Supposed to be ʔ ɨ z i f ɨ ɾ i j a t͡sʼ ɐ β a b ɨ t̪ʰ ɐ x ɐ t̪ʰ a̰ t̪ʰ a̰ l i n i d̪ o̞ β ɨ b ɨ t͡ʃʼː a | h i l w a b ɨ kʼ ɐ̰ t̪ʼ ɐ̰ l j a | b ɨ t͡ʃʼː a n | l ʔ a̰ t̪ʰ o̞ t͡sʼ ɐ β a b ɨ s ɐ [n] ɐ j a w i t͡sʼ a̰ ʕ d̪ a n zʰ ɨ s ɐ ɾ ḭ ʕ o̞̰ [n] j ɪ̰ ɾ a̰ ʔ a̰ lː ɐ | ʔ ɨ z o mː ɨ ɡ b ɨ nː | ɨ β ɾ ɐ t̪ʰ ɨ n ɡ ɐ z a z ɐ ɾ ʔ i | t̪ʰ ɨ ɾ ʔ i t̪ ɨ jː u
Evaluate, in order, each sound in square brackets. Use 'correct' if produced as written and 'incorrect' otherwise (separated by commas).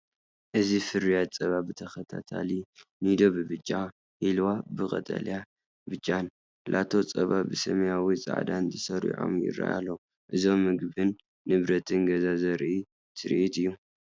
incorrect, incorrect